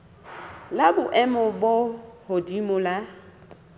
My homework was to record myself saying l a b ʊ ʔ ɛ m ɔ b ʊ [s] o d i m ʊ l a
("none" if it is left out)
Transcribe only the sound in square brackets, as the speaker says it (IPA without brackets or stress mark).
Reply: h